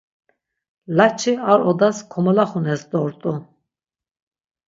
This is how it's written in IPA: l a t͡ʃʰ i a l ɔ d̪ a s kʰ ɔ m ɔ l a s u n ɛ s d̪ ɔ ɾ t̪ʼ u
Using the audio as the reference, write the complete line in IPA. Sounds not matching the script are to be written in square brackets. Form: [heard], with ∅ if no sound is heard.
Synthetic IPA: l a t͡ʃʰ i a [ɾ] ɔ d̪ a s kʰ ɔ m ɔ l a [χ] u n ɛ s d̪ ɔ ɾ t̪ʼ u